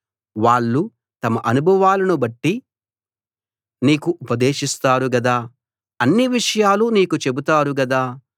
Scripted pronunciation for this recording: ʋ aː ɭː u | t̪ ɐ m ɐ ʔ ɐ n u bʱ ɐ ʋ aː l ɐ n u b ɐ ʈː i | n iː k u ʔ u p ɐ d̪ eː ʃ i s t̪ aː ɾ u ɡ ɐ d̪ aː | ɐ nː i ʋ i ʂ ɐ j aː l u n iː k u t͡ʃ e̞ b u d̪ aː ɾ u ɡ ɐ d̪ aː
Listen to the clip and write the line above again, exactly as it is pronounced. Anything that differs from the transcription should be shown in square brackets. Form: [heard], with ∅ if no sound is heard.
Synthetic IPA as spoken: ʋ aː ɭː u | t̪ ɐ m ɐ ʔ ɐ n u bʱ ɐ ʋ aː l ɐ n u b ɐ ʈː i | n iː k u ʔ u p ɐ d̪ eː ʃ i s t̪ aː ɾ u ɡ ɐ d̪ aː | ɐ nː i ʋ i ʂ ɐ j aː l u n iː k u t͡ʃ e̞ b u [t̪] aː ɾ u ɡ ɐ d̪ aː

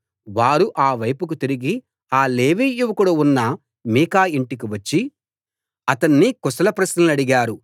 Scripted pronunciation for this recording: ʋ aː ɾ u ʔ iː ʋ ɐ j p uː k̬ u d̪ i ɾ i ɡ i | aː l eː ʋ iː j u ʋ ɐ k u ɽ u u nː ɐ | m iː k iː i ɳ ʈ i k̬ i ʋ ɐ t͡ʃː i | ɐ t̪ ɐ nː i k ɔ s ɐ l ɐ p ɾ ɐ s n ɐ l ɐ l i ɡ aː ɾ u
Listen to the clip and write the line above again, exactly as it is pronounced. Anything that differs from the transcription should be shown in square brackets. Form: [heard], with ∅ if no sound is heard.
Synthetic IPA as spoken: ʋ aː ɾ u ʔ [aː] ʋ ɐ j p [u] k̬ u [t̪] i ɾ i ɡ i | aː l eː ʋ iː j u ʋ ɐ k u ɽ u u nː ɐ | m iː k [aː] i ɳ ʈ i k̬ i ʋ ɐ t͡ʃː i | ɐ t̪ ɐ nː i k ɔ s ɐ l ɐ p ɾ ɐ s n ɐ l ɐ [ɽ] i ɡ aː ɾ u

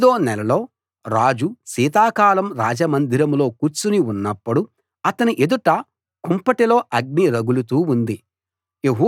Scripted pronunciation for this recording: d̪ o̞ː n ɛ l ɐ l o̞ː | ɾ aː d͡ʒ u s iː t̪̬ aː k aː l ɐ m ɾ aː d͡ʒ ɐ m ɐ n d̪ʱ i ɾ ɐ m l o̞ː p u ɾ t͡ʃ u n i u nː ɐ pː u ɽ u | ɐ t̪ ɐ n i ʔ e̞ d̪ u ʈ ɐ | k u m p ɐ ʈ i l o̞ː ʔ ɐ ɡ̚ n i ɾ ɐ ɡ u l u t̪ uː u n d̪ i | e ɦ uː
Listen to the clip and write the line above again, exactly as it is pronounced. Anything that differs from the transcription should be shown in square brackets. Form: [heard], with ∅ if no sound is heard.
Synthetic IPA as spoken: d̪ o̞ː n ɛ l ɐ l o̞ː | ɾ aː d͡ʒ u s iː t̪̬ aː k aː l ɐ m ɾ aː d͡ʒ ɐ m ɐ n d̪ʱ i ɾ ɐ m l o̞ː [k] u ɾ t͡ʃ u n i u nː ɐ pː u ɽ u | ɐ t̪ ɐ n i ʔ e̞ d̪ u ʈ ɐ | k u m p ɐ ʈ i l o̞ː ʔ ɐ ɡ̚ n i ɾ ɐ ɡ u l u t̪ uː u n d̪ i | e ɦ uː

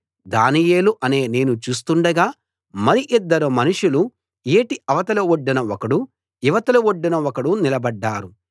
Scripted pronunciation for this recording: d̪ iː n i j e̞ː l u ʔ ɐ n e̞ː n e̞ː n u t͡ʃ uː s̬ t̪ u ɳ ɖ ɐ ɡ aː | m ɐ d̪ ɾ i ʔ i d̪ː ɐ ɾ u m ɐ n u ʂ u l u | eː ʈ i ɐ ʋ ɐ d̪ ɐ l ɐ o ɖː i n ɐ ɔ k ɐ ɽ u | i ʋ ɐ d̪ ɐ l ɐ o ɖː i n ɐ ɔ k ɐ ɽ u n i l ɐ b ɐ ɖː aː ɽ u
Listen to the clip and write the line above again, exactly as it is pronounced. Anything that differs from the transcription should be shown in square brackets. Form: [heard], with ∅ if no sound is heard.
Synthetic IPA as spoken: d̪ [aː] n i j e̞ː l u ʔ ɐ n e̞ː n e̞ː n u t͡ʃ uː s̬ t̪ u ɳ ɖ ɐ ɡ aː | m ɐ [∅] ɾ i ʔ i d̪ː ɐ ɾ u m ɐ n u ʂ u l u | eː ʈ i ɐ ʋ ɐ [t̪] ɐ l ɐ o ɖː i n ɐ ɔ k ɐ ɽ u | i ʋ ɐ [t̪] ɐ l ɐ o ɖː i n ɐ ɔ k ɐ ɽ u n i l ɐ b ɐ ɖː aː [ɾ] u

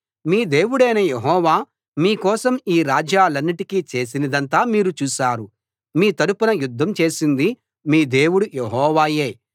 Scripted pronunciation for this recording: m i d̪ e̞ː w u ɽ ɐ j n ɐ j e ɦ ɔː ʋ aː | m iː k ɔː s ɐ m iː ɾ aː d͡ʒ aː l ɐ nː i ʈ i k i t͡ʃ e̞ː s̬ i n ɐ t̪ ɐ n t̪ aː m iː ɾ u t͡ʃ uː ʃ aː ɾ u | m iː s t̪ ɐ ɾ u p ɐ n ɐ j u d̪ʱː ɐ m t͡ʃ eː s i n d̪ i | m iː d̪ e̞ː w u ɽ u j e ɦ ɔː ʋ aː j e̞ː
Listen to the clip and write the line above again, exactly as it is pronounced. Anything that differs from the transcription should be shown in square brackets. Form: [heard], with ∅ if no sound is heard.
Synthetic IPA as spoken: m [iː] d̪ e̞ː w u ɽ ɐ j n ɐ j e ɦ ɔː ʋ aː | m iː k ɔː s ɐ m iː ɾ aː d͡ʒ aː l ɐ nː i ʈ i k i t͡ʃ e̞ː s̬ i n ɐ [d̪] ɐ n t̪ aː m iː ɾ u t͡ʃ uː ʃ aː ɾ u | m iː [∅] t̪ ɐ ɾ u p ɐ n ɐ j u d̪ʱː ɐ m t͡ʃ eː s i n d̪ i | m iː d̪ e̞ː w u ɽ u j e ɦ ɔː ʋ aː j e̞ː

